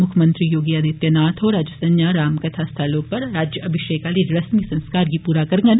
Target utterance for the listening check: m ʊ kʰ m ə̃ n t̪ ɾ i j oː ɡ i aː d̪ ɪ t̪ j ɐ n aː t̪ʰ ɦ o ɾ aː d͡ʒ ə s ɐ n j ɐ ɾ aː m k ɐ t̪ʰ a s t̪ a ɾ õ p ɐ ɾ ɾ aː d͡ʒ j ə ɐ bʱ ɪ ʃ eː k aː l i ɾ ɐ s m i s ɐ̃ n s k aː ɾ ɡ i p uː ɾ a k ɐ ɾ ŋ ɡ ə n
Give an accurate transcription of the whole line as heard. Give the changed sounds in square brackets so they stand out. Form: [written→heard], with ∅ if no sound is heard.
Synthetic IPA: m ʊ kʰ m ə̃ n t̪ ɾ i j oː ɡ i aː d̪ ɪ t̪ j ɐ n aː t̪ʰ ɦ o ɾ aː d͡ʒ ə s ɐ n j [ɐ→a] ɾ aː m k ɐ t̪ʰ a s [t̪→t̪ʰ] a [ɾ→l] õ p ɐ ɾ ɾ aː d͡ʒ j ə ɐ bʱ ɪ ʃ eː k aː l i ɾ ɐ s m i s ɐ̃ n s k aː ɾ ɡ i p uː ɾ a k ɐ ɾ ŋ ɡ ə n